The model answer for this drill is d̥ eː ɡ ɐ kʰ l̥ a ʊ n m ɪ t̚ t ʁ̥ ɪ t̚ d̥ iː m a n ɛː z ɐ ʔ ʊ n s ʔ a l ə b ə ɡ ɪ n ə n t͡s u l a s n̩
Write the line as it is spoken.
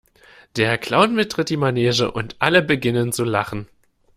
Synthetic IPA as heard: d̥ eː ɐ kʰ l̥ a ʊ n m ɪ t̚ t ʁ̥ ɪ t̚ d̥ iː m a n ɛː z ə ʔ ʊ n t ʔ a l ə b ə ɡ ɪ n ə n t͡s u l a χ n̩

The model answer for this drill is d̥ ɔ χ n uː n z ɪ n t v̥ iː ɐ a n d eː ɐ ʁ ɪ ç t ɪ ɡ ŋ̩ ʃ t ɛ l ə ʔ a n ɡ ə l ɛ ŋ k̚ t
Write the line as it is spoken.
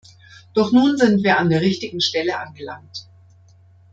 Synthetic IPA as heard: d̥ ɔ χ n uː n z ɪ n t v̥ iː ɐ a n d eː ɐ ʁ ɪ ç t ɪ ɡ ŋ̩ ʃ t ɛ l ə ʔ a n ɡ ə l a ŋ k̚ t

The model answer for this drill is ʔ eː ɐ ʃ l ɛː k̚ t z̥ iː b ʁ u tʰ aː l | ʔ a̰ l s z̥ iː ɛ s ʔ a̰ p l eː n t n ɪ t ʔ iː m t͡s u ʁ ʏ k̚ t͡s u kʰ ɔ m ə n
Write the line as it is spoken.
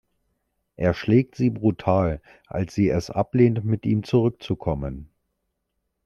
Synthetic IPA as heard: ʔ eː ɐ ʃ l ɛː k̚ t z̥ iː b ʁ u tʰ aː l | ʔ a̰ l s z̥ iː ɛ s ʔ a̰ p l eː n t m ɪ t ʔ iː m t͡s u ʁ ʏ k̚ t͡s u kʰ ɔ m ə n

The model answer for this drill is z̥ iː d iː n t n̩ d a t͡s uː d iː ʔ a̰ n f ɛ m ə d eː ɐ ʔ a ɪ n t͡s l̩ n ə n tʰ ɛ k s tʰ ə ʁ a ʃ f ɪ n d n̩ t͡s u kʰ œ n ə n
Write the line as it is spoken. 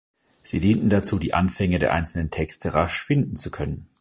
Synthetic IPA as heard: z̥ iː d iː n t n̩ d a t͡s uː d iː ʔ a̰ n f ɛ ŋ ə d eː ɐ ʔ a ɪ n t͡s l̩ n ə n tʰ ɛ k s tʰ ə ʁ a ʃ f ɪ n d n̩ t͡s u kʰ œ n ə n

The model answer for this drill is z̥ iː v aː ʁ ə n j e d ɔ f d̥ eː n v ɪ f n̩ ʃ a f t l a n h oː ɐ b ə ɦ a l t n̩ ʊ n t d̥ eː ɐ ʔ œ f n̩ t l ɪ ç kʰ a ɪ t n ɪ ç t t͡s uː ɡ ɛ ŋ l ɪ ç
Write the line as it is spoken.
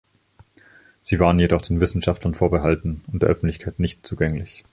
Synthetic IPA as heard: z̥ iː v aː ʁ ə n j e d ɔ χ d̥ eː n v ɪ s n̩ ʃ a f t l ɐ n f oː ɐ b ə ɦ a l t n̩ ʊ n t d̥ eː ɐ ʔ œ f n̩ t l ɪ ç kʰ a ɪ t n ɪ ç t t͡s uː ɡ ɛ ŋ l ɪ ç

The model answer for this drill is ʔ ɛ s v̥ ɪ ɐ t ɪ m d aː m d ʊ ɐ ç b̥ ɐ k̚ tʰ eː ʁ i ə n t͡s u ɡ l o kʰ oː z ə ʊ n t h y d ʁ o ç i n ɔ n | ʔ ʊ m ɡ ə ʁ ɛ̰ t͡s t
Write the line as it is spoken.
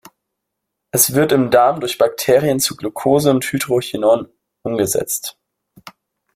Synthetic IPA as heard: ʔ ɛ s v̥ ɪ ɐ t ɪ m d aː m d ʊ ɐ ç b̥ a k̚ tʰ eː ʁ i ə n t͡s u ɡ l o kʰ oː z ə ʊ n t h y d ʁ o ç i n ɔ n | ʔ ʊ m ɡ ə z ɛ̰ t͡s t

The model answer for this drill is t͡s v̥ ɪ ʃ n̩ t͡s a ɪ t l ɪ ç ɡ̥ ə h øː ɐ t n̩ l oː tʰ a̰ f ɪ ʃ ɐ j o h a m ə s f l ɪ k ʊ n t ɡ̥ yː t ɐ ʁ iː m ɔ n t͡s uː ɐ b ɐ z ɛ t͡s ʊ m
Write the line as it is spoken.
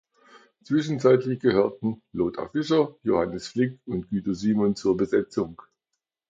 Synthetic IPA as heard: t͡s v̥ ɪ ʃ n̩ t͡s a ɪ t l ɪ ç ɡ̥ ə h øː ɐ t n̩ l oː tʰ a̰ f ɪ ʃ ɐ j o h a n ə s f l ɪ k ʊ n t ɡ̥ yː t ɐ z iː m ɔ n t͡s uː ɐ b ə z ɛ t͡s ʊ ŋ

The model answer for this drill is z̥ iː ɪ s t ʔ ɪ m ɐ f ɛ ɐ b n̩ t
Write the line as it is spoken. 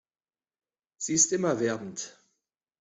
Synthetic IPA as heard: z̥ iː ɪ s t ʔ ɪ m ɐ v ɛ ɐ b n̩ t

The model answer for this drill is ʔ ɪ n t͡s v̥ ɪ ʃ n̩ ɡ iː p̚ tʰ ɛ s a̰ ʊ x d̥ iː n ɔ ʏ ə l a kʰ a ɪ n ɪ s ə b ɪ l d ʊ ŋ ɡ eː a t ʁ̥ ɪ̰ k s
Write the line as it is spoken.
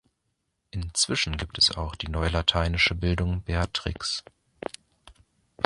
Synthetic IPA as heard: ʔ ɪ n t͡s v̥ ɪ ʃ n̩ ɡ iː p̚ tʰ ɛ s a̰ ʊ x d̥ iː n ɔ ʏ ə l a tʰ a ɪ n ɪ ʃ ə b ɪ l d ʊ ŋ b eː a t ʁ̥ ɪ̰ k s

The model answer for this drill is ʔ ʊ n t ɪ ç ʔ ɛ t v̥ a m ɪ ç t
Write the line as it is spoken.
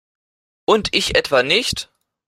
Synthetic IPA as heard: ʔ ʊ n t ɪ ç ʔ ɛ t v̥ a n ɪ ç t

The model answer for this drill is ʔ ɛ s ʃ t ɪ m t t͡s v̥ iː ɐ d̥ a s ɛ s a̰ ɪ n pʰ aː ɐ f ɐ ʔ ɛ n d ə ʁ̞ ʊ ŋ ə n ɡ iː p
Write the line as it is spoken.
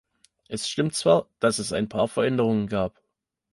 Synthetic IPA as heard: ʔ ɛ s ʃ t ɪ m t t͡s v̥ aː ɐ d̥ a s ɛ s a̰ ɪ n pʰ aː ɐ f ɐ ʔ ɛ n d ə ʁ̞ ʊ ŋ ə n ɡ aː p

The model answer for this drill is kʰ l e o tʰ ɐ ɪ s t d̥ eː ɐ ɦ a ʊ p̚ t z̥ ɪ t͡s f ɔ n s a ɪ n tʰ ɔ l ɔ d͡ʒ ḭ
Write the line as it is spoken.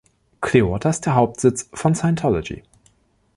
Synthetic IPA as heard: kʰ l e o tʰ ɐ ɪ s t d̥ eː ɐ ɦ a ʊ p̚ t z̥ ɪ t͡s f ɔ n s a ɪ n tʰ ɔ l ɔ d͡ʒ ḭ

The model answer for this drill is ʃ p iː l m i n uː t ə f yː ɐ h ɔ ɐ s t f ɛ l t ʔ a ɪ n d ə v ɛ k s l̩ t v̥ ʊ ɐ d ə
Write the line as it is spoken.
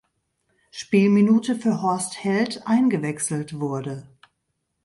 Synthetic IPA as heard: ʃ p iː l m i n uː t ə f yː ɐ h ɔ ɐ s t h ɛ l t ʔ a ɪ n ɡ ə v ɛ k s l̩ t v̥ ʊ ɐ d ə

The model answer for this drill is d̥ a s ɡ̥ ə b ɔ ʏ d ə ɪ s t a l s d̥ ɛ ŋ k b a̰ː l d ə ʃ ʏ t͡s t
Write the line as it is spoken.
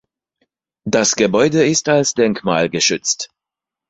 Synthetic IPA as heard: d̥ a s ɡ̥ ə b ɔ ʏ d ə ɪ s t a l s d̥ ɛ ŋ k m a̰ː l ɡ ə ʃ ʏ t͡s t

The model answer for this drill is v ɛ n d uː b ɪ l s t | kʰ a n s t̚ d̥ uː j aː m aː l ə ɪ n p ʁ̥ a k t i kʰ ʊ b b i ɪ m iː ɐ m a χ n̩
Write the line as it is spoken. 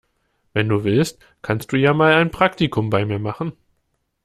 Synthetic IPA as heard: v ɛ n d uː v ɪ l s t | kʰ a n s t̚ d̥ uː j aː m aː l a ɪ n p ʁ̥ a k t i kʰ ʊ m b a ɪ m iː ɐ m a χ n̩

